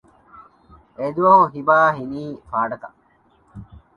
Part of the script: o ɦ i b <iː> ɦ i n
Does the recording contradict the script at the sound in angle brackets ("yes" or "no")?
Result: yes